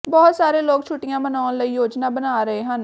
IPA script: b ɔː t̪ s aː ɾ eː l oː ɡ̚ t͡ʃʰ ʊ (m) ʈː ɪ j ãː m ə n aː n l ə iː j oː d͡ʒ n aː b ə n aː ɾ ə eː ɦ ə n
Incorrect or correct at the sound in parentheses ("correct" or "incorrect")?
incorrect